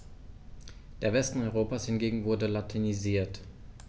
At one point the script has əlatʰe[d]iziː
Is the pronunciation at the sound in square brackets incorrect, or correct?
incorrect: n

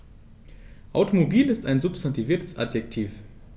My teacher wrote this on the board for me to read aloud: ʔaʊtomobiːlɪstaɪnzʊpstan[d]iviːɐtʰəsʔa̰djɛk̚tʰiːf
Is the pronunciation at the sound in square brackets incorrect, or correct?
incorrect: t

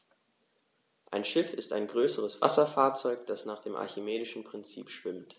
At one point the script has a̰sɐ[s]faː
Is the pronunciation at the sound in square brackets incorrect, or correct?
incorrect: none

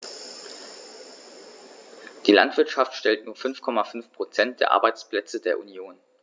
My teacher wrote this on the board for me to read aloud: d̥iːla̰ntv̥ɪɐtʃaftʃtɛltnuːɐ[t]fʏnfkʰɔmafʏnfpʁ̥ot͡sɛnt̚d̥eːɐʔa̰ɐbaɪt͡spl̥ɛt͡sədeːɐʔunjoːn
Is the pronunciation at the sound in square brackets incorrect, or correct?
incorrect: none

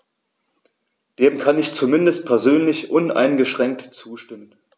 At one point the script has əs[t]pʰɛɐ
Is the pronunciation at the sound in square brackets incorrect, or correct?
correct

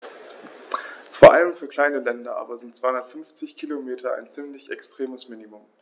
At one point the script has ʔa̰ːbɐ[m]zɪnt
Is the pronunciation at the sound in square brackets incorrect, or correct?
incorrect: none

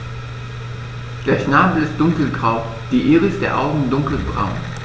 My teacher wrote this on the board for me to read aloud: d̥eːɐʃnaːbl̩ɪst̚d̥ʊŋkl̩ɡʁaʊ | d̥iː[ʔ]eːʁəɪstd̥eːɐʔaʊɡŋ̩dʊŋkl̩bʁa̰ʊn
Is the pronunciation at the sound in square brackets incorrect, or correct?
correct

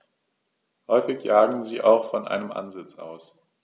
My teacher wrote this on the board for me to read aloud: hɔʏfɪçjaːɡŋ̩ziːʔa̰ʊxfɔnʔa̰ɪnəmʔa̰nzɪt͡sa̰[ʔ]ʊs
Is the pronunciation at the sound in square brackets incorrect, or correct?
incorrect: none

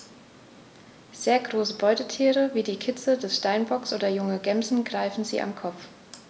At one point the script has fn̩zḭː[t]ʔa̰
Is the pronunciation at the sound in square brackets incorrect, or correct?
incorrect: none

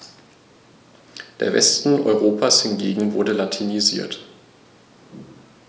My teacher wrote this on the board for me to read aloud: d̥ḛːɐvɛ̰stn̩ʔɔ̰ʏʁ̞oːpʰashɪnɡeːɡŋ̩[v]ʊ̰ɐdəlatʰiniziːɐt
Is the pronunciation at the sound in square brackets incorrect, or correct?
correct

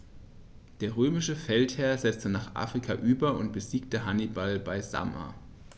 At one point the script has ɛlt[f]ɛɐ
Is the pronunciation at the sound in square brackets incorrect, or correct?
incorrect: h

